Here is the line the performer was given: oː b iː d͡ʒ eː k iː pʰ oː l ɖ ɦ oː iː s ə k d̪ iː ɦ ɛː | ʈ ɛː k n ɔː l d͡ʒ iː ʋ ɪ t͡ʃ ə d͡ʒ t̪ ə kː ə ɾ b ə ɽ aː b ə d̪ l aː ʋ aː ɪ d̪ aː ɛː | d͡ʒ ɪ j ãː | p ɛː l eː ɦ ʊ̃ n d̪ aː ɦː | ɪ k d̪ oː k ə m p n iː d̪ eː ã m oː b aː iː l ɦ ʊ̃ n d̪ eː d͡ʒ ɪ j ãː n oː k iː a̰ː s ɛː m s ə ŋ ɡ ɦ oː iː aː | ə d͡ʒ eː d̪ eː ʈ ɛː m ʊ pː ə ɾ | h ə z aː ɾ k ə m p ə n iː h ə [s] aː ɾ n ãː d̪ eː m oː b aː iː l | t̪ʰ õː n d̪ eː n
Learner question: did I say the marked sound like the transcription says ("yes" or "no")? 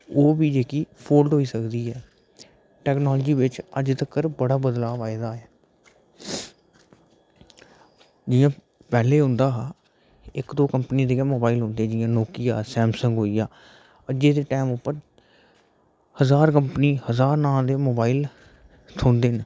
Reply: no